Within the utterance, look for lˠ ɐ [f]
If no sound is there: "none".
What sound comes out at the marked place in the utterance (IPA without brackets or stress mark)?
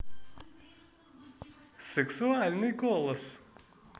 s